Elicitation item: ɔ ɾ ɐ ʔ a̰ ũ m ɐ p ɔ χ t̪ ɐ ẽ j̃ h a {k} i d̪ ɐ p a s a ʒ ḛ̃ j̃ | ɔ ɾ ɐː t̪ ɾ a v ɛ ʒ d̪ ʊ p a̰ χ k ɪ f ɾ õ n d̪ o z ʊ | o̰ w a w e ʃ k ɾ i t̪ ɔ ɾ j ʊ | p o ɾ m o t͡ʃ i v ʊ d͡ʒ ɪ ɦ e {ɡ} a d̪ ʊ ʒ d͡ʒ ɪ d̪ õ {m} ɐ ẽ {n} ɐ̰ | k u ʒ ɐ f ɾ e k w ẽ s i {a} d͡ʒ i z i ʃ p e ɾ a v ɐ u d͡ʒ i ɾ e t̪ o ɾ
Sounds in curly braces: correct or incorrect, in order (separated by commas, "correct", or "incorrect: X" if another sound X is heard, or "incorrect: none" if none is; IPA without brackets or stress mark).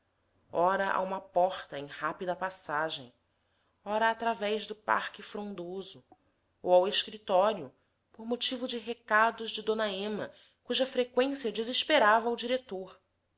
incorrect: p, incorrect: k, incorrect: n, incorrect: m, incorrect: ɐ